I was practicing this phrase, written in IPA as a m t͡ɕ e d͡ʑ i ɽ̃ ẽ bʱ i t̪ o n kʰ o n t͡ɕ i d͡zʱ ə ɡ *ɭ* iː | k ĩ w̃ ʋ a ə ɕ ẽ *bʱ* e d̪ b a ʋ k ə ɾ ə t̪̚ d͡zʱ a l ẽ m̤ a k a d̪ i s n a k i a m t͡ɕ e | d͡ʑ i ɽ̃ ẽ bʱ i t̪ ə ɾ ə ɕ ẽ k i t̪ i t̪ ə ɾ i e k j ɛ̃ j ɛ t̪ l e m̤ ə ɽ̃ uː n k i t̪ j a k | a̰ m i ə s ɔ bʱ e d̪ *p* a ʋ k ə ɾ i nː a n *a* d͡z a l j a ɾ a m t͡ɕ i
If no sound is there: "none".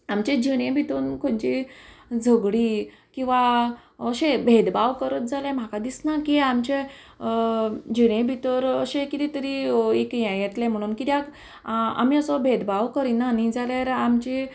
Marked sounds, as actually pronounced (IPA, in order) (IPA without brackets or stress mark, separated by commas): ɽ, bʱ, b, i